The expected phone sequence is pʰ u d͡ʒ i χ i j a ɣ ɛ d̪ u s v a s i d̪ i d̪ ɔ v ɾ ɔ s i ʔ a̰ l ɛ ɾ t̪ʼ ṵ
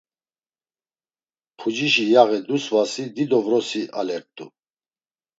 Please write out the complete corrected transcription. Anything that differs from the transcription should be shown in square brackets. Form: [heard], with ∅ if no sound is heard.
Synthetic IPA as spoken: pʰ u d͡ʒ i [ʃ] i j a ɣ ɛ d̪ u s v a s i d̪ i d̪ ɔ v ɾ ɔ s i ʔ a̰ l ɛ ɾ t̪ʼ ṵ